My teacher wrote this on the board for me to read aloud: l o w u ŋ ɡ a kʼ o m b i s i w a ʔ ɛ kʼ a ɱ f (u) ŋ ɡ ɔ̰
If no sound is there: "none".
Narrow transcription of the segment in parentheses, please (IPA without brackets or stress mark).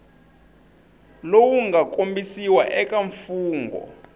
uː